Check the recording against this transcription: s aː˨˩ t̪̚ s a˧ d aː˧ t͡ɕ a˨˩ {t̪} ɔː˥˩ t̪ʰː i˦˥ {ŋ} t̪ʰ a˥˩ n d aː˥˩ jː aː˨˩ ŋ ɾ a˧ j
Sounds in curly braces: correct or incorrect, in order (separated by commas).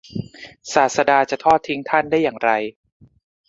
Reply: incorrect, correct